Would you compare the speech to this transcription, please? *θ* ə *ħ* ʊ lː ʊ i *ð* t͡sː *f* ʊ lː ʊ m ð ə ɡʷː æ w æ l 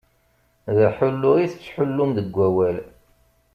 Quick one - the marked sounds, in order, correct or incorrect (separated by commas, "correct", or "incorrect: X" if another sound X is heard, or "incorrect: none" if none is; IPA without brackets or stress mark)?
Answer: incorrect: ð, correct, incorrect: θ, incorrect: ħ